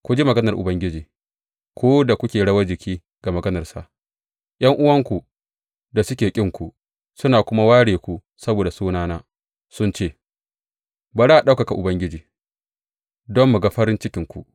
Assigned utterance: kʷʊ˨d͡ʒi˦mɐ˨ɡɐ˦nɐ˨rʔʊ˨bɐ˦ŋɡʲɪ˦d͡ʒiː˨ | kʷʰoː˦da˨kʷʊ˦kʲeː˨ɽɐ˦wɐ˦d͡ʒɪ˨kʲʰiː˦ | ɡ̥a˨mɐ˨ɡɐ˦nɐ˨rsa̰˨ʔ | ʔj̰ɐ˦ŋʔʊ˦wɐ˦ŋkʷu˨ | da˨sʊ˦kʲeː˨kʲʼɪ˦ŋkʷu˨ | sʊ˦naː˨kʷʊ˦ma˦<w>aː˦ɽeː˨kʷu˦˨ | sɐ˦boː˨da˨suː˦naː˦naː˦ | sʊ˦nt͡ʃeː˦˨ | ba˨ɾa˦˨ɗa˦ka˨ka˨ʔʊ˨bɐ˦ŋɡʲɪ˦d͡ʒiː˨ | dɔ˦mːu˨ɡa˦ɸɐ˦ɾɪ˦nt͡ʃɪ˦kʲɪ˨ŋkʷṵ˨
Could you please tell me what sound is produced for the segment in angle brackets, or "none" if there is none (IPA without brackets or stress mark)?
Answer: w